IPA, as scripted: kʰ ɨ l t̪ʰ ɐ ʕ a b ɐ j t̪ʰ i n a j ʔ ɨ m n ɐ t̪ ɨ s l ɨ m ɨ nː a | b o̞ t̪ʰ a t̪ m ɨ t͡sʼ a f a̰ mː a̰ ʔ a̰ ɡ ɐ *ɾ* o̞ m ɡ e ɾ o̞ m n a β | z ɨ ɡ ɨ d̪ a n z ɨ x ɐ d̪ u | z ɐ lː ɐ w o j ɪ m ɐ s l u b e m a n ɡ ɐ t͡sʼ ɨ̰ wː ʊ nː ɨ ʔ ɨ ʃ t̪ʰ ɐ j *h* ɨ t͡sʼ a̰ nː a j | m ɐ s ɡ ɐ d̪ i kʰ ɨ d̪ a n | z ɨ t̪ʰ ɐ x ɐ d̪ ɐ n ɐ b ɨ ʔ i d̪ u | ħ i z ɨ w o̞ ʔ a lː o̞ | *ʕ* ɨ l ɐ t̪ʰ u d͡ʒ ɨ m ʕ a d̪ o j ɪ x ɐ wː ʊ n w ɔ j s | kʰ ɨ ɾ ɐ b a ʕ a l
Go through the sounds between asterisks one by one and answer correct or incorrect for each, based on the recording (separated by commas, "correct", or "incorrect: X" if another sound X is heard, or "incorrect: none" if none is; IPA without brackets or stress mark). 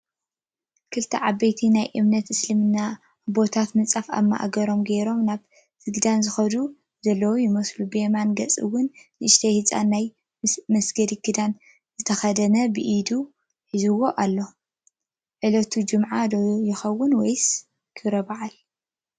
correct, correct, correct